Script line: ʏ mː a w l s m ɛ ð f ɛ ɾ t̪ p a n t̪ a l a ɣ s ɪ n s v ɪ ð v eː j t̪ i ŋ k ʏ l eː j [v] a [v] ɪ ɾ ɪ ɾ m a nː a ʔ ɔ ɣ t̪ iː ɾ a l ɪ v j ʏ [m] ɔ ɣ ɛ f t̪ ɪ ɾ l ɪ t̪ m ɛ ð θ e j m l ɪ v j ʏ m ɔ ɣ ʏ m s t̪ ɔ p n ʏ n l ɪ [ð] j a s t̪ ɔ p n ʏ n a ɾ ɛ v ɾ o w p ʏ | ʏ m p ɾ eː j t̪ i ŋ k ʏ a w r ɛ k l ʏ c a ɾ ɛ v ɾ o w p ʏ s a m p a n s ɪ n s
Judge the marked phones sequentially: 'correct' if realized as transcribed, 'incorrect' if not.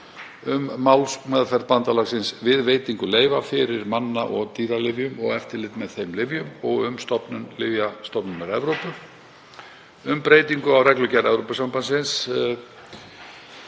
correct, incorrect, correct, incorrect

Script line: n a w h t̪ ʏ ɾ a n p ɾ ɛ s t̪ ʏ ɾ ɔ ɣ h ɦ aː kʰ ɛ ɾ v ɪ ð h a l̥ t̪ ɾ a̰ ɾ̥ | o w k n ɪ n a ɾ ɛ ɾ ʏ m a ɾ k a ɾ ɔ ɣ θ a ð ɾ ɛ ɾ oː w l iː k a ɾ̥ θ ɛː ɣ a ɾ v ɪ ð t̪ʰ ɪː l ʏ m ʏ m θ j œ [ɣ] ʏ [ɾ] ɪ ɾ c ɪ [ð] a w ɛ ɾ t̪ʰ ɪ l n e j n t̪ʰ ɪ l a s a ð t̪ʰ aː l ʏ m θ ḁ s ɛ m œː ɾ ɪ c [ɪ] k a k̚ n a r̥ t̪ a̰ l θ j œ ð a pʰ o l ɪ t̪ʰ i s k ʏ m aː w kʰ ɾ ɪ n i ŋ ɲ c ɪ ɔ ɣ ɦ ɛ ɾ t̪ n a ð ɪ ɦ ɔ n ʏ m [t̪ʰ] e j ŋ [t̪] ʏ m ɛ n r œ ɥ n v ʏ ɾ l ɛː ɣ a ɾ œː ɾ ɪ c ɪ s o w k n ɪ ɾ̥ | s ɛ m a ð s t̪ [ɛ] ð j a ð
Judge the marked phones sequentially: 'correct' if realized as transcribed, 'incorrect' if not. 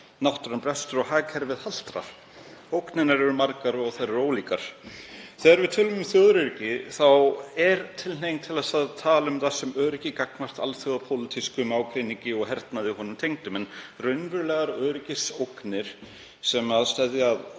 incorrect, correct, incorrect, correct, correct, correct, correct

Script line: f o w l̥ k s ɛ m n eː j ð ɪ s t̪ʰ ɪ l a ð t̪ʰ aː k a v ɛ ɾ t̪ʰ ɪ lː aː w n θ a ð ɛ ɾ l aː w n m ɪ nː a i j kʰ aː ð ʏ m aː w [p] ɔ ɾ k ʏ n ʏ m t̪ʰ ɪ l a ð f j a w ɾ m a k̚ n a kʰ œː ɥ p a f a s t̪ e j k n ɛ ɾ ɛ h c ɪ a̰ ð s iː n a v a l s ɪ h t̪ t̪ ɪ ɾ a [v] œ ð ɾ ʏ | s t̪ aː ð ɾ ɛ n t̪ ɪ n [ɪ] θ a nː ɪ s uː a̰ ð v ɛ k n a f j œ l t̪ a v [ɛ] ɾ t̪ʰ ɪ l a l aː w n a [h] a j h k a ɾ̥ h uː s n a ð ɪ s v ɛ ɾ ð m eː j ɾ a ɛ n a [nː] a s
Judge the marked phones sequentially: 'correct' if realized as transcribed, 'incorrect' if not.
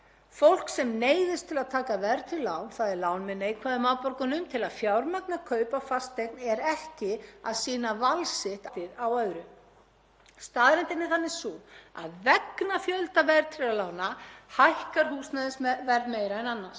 correct, incorrect, correct, correct, correct, correct

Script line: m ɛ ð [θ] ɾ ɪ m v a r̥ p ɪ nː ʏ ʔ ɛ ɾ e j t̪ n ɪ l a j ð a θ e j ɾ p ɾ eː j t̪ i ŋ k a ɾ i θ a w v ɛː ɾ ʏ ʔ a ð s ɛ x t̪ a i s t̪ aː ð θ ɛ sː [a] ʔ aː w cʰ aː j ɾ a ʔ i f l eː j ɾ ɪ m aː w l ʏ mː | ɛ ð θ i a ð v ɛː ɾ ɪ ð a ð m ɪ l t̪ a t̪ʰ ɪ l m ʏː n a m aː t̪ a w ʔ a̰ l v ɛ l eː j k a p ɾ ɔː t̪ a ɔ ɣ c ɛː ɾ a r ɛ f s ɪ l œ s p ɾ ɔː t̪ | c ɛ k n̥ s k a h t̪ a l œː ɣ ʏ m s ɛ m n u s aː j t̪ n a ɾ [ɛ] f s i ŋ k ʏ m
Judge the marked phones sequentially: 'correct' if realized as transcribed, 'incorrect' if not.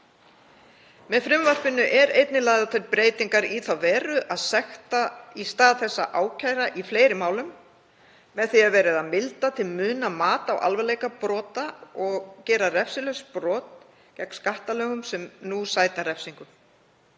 incorrect, correct, correct

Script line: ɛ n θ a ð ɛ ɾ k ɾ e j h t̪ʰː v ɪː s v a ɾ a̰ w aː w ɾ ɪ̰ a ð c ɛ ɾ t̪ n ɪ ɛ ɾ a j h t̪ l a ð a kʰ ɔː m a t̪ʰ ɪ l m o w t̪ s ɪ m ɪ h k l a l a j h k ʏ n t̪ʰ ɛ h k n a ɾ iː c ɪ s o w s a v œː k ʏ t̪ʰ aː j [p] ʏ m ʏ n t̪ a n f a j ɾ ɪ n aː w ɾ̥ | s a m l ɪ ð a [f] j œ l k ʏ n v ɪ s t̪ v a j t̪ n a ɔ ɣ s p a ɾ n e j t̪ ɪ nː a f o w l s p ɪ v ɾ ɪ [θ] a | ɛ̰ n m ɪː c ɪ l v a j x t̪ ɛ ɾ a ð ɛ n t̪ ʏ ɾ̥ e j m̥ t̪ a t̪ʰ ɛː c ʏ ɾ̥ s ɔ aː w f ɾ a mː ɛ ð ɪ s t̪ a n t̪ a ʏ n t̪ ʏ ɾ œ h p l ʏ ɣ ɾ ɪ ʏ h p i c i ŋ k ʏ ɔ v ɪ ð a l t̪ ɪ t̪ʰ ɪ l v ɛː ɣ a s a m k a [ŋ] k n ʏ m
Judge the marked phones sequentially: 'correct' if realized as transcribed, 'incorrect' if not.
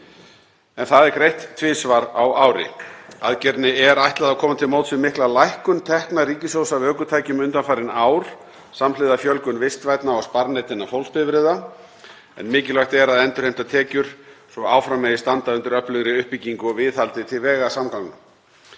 incorrect, correct, incorrect, correct

